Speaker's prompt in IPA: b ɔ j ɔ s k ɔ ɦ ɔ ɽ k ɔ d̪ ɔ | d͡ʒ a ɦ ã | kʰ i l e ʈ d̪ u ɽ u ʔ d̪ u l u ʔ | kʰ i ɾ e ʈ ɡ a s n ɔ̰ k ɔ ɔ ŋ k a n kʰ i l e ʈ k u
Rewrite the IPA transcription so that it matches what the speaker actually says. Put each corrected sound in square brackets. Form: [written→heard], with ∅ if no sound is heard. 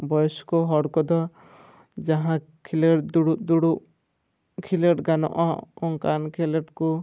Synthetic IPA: b ɔ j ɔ s k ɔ ɦ ɔ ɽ k ɔ d̪ ɔ | d͡ʒ a ɦ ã | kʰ i l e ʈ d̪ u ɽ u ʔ d̪ u [l→ɽ] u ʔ | kʰ i [ɾ→l] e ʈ ɡ a [s→∅] n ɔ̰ [k→ʔ] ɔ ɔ ŋ k a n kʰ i l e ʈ k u